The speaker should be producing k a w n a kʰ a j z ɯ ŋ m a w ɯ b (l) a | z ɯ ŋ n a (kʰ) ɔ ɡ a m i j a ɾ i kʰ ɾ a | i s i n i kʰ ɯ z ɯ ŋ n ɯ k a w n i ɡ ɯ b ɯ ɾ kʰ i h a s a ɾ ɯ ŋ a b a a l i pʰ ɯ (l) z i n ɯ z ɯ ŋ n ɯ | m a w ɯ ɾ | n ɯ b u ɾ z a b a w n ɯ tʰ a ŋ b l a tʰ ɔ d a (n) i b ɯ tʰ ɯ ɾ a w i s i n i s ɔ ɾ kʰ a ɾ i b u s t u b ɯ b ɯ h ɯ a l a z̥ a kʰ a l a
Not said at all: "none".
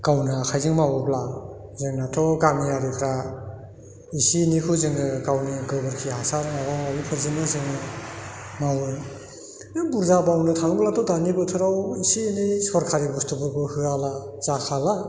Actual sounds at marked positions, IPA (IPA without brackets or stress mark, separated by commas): l, tʰ, ɾ, n